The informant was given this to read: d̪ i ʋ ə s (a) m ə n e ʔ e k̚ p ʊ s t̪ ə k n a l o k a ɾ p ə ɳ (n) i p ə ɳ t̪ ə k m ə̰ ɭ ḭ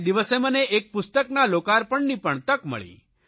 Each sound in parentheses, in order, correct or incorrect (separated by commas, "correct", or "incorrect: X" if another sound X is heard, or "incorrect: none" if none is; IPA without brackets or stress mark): incorrect: e, correct